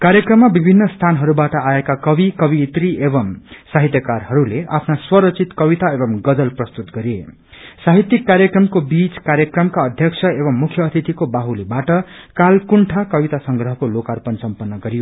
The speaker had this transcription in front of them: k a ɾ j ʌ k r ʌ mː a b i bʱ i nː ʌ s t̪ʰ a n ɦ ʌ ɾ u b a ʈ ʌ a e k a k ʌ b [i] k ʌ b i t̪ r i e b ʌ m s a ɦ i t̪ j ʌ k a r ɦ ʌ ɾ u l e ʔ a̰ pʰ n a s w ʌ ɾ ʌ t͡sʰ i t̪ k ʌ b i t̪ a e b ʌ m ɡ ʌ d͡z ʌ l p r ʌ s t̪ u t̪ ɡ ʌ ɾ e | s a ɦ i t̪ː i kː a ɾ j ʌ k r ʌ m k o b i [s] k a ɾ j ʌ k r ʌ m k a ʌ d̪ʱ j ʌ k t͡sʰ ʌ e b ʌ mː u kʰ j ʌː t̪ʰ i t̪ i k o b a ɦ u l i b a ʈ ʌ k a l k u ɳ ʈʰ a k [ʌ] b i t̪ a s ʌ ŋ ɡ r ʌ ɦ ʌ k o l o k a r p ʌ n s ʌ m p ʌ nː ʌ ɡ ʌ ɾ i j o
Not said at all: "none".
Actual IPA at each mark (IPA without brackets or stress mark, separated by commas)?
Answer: i, t͡s, ʌ